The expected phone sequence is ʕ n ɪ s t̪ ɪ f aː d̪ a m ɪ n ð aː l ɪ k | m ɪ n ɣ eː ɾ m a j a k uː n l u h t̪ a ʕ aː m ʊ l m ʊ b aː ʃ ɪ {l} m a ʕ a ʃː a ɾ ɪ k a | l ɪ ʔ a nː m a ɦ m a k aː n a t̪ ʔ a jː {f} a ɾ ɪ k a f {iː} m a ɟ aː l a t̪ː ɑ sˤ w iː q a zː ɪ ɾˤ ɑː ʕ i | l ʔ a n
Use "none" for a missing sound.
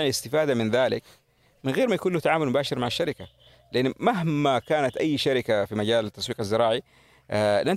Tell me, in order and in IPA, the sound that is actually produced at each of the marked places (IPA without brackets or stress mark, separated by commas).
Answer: ɾ, ʃ, i